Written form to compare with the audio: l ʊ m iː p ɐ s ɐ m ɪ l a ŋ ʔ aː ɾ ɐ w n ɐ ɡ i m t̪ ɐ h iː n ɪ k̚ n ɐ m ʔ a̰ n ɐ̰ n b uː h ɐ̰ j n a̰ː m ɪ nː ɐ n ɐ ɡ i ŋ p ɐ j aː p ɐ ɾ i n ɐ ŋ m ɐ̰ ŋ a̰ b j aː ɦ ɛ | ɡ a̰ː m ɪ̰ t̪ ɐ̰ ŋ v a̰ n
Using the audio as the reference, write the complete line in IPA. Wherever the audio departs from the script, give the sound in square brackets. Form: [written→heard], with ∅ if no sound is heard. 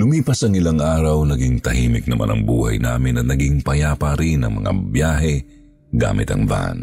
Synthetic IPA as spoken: l ʊ m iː p ɐ s ɐ [m→ŋ] ɪ l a ŋ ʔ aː ɾ ɐ w n ɐ ɡ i [m→ŋ] t̪ ɐ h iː [n→m] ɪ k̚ n ɐ m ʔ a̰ n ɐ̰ [n→ŋ] b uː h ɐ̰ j n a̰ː m ɪ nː ɐ n ɐ ɡ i ŋ p ɐ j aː p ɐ ɾ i n ɐ ŋ m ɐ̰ ŋ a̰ b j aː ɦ ɛ | ɡ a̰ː m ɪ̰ t̪ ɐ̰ ŋ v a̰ n